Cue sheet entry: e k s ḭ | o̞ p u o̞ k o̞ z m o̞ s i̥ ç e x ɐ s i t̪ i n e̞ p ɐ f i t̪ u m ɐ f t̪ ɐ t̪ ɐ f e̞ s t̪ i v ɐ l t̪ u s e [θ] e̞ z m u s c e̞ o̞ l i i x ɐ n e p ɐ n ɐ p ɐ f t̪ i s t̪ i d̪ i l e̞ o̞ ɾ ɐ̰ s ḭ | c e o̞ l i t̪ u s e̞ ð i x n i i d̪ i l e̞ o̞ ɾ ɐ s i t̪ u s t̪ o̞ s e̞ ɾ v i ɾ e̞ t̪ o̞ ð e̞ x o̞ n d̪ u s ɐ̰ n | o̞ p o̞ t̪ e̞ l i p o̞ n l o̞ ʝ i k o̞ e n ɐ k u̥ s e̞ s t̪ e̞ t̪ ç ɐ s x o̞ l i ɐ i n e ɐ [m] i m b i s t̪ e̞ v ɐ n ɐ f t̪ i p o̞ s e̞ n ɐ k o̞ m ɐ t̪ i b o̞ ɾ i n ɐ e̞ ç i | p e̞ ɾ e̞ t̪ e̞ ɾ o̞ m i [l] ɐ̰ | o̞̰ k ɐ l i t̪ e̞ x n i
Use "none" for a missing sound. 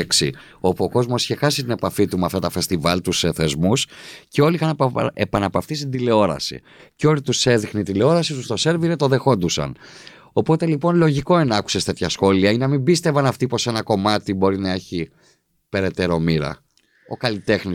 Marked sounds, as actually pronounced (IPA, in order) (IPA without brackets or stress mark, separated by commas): θ, m, ɾ